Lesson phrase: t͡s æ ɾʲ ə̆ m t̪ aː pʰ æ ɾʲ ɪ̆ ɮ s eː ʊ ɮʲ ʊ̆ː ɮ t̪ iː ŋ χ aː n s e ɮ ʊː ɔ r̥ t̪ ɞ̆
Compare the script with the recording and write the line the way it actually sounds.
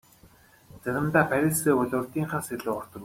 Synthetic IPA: t͡s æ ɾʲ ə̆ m t̪ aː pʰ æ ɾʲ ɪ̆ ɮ s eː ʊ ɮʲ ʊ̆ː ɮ t̪ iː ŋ χ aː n s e ɮ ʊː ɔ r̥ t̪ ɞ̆

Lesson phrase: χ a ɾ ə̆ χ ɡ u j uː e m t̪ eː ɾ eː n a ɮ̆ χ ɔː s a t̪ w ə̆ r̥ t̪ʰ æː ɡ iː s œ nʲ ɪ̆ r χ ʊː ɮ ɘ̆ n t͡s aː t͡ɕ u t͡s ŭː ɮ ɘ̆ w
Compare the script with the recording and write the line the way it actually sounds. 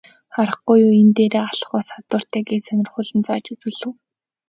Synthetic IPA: χ a ɾ ə̆ χ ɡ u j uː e n t̪ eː ɾ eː a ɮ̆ χ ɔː s a t̪ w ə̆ r̥ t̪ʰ æː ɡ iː s œ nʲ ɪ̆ r χ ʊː ɮ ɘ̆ n t͡s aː t͡ɕ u t͡s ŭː ɮ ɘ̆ w

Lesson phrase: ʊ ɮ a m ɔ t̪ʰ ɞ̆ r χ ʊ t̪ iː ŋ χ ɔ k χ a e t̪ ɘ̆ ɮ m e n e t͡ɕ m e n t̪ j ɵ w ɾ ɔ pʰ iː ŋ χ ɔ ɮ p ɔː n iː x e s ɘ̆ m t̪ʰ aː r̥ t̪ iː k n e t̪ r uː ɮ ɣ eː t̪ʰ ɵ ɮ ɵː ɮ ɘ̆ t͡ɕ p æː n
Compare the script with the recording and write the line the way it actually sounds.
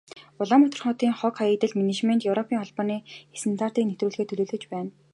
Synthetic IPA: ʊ ɮ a m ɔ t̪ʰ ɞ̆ r χ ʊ t̪ iː ŋ χ ɔ k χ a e t̪ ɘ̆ ɮ m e n e t͡ɕ m e n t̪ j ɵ w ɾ ɔ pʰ iː ŋ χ ɔ ɮ p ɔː n iː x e s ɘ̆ n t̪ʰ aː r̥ t̪ iː k n e t̪ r uː ɮ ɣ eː t̪ʰ ɵ ɮ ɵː ɮ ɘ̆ t͡ɕ p æː n

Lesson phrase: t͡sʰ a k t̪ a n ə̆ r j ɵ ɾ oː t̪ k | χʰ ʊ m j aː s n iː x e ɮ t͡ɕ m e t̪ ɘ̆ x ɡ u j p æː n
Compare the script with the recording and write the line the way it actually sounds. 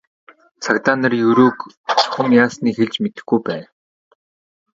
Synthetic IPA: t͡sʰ a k t̪ a n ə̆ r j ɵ ɾ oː k | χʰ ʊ m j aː s n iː x e ɮ t͡ɕ m e t̪ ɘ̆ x ɡ u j p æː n

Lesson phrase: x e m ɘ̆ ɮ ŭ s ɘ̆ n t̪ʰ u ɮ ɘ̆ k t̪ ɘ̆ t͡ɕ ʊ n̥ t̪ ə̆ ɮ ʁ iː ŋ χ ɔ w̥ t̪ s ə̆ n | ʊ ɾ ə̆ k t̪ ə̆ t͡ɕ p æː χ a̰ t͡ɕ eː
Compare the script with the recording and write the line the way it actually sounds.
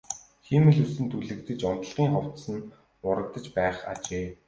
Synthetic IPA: x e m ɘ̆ ɮ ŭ s ɘ̆ n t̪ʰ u ɮ ɘ̆ k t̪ ɘ̆ t͡ɕ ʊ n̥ t̪ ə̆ ɮ ʁ iː ŋ χ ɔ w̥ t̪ s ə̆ n | ʊ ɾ ə̆ k t̪ ə̆ t͡ɕ p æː χ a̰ t͡ɕ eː

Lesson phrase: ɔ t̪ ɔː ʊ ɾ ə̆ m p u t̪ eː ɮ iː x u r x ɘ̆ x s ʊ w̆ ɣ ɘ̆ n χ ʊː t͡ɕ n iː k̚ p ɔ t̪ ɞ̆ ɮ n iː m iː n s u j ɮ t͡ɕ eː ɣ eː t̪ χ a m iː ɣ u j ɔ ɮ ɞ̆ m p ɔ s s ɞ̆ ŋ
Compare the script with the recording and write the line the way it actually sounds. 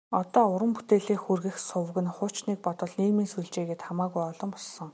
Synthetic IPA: ɔ t̪ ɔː ʊ ɾ ə̆ m p u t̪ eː ɮ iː x u r ɣ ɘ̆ x s ʊ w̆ ɣ ɘ̆ n χ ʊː t͡ɕ n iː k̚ p ɔ t̪ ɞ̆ ɮ n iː m iː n s u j ɮ t͡ɕ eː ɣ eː t̪ χ a m aː ɣ u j ɔ ɮ ɞ̆ m p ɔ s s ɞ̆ ŋ

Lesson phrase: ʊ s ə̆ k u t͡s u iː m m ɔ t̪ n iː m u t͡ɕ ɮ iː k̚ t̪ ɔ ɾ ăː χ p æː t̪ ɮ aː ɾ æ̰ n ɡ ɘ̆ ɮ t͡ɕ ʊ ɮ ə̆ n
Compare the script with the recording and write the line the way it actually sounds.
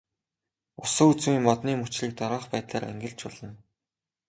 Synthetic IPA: ʊ s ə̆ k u t͡s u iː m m ɔ t̪ n iː m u t͡ɕ ɮ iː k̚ t̪ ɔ ɾ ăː χ p æː t̪ ɮ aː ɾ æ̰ ŋ ɡ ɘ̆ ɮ t͡ɕ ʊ ɮ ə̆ n

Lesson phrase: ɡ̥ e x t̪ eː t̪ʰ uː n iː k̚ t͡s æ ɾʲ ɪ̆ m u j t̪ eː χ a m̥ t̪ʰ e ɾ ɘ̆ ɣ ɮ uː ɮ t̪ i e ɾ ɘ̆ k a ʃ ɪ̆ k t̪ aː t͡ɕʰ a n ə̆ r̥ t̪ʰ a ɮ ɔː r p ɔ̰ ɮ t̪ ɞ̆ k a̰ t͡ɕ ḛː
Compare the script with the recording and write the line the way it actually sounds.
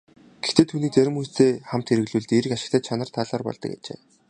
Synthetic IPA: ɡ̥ e x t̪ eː t̪ʰ uː n iː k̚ t͡s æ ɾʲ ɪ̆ m u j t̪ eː χ a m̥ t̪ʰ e ɾ ɘ̆ ɣ ɮ uː ɮ t̪ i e ɾ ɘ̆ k a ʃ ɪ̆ k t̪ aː t͡ɕʰ a n ə̆ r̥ t̪ʰ a ɮ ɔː r p ɔ̰ ɮ t̪ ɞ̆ k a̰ t͡ɕ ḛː

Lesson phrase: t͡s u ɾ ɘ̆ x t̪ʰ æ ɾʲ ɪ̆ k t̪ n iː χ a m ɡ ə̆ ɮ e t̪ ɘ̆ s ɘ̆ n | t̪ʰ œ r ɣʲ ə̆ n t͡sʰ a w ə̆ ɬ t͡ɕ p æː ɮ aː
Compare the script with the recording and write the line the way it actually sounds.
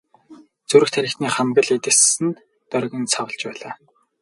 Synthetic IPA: t͡s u ɾ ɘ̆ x t̪ʰ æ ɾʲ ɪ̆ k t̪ n iː χ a m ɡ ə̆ ɮ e t̪ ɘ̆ s ɘ̆ n | t̪ œ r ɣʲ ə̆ n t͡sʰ a w ə̆ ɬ t͡ɕ p æː ɮ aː

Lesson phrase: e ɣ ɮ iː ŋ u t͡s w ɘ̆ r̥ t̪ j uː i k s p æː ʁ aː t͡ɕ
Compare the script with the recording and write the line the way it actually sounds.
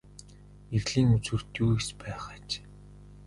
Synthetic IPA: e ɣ ɮ iː ŋ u t͡s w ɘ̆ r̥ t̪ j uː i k s p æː χ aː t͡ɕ

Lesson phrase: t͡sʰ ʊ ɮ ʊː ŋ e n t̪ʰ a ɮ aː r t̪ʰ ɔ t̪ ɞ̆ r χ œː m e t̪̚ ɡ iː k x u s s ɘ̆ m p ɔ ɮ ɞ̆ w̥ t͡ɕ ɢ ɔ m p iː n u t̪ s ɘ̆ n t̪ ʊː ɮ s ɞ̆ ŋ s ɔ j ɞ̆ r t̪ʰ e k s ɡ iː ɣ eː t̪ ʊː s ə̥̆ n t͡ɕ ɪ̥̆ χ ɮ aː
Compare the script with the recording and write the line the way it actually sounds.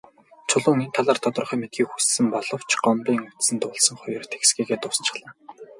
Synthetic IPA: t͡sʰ ʊ ɮ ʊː ŋ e n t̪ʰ a ɮ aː r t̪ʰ ɔ t̪ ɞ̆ r χ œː m e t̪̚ ɡ iː k x u s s ɘ̆ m p ɔ ɮ ɞ̆ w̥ t͡ɕ ɢ ɔ m p iː ŋ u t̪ s ɘ̆ n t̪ ʊː ɮ s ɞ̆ ŋ χ ɔ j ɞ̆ r t̪ʰ e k s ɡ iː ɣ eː t̪ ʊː s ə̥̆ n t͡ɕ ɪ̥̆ χ ɮ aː

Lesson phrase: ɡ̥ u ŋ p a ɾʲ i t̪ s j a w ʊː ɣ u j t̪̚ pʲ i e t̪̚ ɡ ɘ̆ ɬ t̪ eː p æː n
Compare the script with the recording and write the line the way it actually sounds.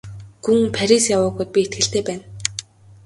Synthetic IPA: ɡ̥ u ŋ pʰ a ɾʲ i s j a w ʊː ɣ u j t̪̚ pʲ i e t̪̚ ɡ ɘ̆ ɬ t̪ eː p æː n

